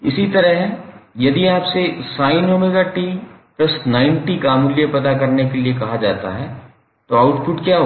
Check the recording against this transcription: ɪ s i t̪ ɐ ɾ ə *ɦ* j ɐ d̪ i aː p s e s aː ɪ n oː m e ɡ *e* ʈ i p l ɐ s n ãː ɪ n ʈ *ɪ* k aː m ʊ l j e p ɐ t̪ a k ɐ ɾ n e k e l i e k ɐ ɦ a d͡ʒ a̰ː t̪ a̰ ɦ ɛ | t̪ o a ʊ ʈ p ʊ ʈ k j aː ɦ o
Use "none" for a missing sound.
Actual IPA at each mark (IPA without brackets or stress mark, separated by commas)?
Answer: ɦ, a, i